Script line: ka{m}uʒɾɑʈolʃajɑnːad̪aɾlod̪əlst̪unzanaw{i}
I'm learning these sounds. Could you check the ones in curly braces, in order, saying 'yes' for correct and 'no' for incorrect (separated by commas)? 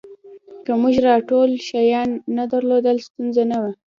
yes, no